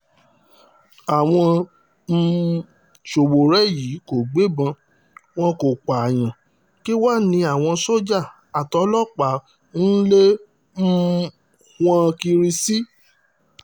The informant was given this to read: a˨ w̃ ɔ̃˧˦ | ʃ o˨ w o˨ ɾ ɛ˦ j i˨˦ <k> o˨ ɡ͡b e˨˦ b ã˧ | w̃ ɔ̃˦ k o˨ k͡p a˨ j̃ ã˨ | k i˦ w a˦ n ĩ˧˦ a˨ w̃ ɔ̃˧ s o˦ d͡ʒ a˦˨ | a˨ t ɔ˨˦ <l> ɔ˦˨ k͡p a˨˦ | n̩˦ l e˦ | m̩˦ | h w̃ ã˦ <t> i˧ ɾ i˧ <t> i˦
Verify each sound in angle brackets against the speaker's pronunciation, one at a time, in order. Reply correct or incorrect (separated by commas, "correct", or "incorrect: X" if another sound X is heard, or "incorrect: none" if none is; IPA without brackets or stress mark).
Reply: correct, correct, incorrect: k, incorrect: s